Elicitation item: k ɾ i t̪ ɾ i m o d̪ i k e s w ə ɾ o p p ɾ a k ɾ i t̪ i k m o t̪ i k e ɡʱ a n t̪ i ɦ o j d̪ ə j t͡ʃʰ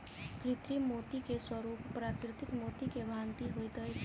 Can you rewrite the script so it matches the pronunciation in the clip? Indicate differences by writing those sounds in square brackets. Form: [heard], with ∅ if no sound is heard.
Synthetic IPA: k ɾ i t̪ ɾ i m o [t̪] i k e s w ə ɾ [u] p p ɾ a k ɾ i t̪ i k m o t̪ i k e [bʱ] a n t̪ i ɦ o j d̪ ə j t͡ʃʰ